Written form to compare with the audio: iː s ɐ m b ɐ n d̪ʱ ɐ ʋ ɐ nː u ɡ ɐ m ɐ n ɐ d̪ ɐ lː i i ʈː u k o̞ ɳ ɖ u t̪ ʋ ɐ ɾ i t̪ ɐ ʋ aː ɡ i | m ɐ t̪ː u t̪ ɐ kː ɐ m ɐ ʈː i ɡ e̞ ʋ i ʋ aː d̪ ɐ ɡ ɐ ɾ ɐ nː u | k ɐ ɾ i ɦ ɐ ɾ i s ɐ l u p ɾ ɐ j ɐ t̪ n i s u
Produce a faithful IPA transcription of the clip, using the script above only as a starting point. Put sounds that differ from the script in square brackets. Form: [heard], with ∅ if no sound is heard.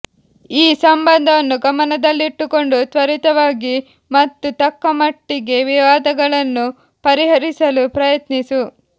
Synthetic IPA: iː s ɐ m b ɐ n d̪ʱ ɐ ʋ ɐ nː u ɡ ɐ m ɐ n ɐ d̪ ɐ lː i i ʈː u k o̞ ɳ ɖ u t̪ ʋ ɐ ɾ i t̪ ɐ ʋ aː ɡ i | m ɐ t̪ː u t̪ ɐ kː ɐ m ɐ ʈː i ɡ e̞ ʋ i ʋ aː d̪ ɐ ɡ ɐ [ɭ] ɐ nː u | [p] ɐ ɾ i ɦ ɐ ɾ i s ɐ l u p ɾ ɐ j ɐ t̪ n i s u